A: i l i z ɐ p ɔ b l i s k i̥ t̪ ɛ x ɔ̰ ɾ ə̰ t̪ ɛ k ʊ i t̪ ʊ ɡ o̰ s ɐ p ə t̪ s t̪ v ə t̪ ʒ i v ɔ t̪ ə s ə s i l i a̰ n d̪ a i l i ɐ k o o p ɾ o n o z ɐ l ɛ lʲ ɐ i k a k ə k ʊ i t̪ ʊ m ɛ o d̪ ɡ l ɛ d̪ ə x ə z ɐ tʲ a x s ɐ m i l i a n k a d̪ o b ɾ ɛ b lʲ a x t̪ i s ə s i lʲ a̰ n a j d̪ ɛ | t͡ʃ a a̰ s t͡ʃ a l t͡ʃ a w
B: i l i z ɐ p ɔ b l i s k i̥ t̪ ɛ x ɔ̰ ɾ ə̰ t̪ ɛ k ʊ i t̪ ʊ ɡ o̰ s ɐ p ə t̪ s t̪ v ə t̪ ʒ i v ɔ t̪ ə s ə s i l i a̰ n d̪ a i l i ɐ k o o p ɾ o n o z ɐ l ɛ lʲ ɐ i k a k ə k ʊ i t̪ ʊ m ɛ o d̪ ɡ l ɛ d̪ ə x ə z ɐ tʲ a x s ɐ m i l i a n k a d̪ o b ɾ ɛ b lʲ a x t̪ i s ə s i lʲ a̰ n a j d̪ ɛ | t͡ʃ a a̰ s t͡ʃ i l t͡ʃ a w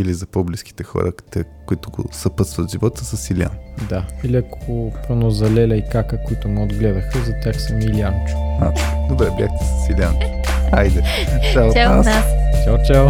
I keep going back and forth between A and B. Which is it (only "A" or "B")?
A